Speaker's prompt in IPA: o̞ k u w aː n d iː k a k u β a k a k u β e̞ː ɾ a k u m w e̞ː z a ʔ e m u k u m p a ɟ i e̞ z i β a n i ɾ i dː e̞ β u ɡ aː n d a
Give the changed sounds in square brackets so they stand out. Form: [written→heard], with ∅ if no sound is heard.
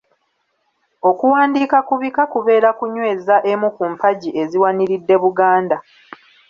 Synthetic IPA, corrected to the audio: o̞ k u w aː n d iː k a k u β [a→i] k a k u β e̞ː ɾ a k u [m→ɲ] w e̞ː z a ʔ e m u k u m p a ɟ i e̞ z i [β→w] a n i ɾ i dː e̞ β u ɡ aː n d a